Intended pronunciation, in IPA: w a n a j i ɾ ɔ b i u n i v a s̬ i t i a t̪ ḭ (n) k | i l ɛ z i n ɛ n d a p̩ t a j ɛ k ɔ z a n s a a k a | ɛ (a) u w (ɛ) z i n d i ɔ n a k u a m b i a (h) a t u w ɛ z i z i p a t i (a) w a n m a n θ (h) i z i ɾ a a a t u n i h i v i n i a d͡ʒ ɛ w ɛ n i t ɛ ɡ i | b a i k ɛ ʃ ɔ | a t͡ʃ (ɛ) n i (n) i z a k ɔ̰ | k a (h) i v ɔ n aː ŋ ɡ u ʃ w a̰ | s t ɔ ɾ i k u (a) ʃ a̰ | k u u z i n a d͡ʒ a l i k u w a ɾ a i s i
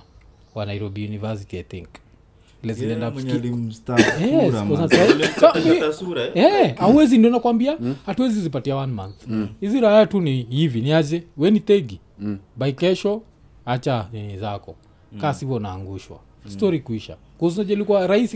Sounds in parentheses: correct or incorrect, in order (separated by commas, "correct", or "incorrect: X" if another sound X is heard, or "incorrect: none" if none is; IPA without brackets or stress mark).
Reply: incorrect: ŋ, correct, correct, correct, correct, correct, incorrect: a, correct, incorrect: s, incorrect: i